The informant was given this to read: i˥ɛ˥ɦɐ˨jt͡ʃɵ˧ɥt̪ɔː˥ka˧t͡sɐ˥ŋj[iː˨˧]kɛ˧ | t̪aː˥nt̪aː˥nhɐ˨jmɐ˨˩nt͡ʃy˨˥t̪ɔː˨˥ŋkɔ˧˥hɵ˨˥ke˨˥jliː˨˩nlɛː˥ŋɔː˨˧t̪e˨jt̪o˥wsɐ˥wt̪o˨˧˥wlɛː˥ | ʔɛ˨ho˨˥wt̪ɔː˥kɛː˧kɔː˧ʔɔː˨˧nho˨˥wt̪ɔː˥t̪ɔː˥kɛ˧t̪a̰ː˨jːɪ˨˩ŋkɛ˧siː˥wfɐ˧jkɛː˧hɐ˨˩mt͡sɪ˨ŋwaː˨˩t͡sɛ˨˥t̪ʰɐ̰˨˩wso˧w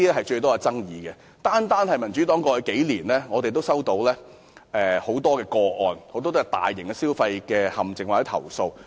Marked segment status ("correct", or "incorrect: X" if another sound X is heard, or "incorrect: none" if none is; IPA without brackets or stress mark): correct